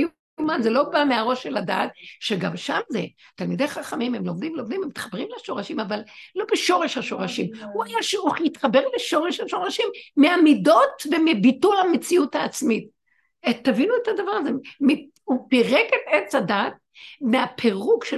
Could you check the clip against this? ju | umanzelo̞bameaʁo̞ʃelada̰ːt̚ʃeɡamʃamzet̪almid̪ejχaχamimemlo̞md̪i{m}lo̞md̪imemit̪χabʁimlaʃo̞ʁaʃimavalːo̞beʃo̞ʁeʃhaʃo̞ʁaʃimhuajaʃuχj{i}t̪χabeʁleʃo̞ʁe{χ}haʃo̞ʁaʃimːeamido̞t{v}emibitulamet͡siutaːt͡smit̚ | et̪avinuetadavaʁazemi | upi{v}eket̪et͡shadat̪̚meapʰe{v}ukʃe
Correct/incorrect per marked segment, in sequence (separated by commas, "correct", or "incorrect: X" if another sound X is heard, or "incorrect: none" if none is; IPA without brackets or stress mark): correct, correct, incorrect: ʃ, correct, incorrect: ʁ, incorrect: ʁ